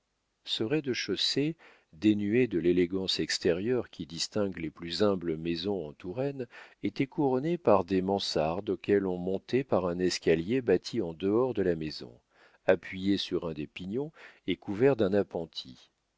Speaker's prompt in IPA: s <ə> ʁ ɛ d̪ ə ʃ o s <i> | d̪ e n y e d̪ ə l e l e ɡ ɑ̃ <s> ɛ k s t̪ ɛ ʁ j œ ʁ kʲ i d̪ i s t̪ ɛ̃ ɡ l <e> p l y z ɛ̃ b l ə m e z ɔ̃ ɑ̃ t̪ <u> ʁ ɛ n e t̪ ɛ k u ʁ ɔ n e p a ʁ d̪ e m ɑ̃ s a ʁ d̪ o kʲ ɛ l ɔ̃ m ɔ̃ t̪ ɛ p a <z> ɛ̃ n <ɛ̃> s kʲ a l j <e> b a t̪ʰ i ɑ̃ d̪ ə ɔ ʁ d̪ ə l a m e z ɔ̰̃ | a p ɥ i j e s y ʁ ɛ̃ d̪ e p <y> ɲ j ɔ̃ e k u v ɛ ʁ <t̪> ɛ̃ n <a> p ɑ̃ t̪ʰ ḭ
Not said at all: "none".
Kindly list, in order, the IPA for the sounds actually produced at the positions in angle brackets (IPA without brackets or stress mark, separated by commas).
ə, e, s, e, u, ʁ, ɛ, e, i, d̪, a